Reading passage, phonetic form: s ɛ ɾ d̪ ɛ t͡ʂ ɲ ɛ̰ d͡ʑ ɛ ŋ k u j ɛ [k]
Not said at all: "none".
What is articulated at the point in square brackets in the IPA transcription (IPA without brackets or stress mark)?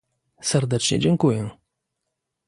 none